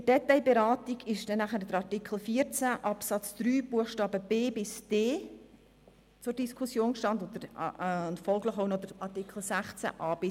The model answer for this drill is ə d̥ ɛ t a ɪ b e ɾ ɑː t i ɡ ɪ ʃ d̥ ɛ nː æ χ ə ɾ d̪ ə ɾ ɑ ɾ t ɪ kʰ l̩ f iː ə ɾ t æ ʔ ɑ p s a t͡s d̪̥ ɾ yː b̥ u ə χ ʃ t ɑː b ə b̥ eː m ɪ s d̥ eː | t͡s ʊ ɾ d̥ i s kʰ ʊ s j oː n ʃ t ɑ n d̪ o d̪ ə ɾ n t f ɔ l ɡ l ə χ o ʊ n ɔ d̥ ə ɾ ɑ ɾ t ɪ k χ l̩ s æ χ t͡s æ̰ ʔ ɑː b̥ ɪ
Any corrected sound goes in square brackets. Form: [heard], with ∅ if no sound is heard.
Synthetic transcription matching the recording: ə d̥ ɛ t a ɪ b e ɾ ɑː t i ɡ ɪ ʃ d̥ ɛ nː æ χ ə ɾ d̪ ə ɾ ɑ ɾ t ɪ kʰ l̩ f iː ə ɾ [t͡s] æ ʔ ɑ p s [ɑ] t͡s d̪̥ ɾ yː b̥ u ə χ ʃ t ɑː b ə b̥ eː [b] ɪ s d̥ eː | t͡s ʊ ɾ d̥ i s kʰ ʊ s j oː n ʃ t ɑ n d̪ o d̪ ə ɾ n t f ɔ l ɡ l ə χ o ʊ n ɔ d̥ ə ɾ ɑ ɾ t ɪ k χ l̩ s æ χ t͡s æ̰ ʔ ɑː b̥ ɪ